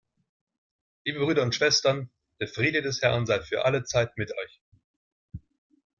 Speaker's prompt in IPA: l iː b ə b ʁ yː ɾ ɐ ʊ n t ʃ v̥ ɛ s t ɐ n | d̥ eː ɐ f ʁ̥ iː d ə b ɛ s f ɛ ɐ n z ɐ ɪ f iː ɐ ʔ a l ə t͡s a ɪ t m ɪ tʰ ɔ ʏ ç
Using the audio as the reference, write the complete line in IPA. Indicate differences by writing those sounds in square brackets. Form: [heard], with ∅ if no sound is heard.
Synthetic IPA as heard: l iː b ə b ʁ yː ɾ ɐ ʊ n t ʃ v̥ ɛ s t ɐ n | d̥ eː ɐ f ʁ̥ iː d ə [d] ɛ s [h] ɛ ɐ n z [a] ɪ f [yː] ɐ ʔ a l ə t͡s a ɪ t m ɪ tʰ ɔ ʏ ç